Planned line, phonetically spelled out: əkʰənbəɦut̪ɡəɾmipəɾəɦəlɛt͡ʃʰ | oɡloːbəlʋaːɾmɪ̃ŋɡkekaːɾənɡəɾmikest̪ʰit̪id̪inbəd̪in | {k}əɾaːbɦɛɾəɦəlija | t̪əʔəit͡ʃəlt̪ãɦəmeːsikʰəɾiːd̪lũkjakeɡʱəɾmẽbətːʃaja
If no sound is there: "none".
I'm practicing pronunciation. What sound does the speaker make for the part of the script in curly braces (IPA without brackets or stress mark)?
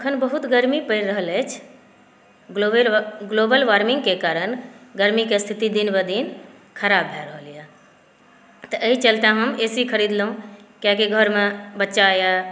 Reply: kʰ